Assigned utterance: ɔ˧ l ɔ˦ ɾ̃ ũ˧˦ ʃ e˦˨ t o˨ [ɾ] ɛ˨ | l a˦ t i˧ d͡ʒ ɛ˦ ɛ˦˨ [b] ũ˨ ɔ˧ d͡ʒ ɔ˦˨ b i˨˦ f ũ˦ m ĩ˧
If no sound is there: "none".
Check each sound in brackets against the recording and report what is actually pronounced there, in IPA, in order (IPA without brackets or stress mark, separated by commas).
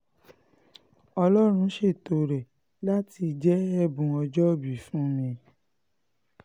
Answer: ɾ, b